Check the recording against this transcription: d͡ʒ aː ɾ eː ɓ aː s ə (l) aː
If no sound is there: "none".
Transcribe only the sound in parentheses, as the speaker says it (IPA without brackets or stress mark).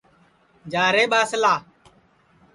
l